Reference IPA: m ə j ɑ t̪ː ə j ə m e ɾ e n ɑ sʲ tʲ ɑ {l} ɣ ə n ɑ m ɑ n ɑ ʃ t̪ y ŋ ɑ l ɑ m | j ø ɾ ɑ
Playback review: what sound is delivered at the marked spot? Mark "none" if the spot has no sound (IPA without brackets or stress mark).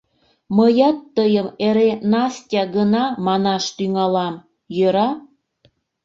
none